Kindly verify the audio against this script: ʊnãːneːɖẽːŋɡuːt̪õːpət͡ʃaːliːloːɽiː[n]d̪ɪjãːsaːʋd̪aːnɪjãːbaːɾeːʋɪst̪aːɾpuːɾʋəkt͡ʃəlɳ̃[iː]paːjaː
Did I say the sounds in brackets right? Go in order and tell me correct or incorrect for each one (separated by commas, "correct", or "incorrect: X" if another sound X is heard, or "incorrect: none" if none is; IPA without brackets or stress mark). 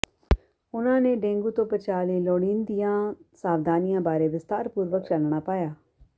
correct, incorrect: aː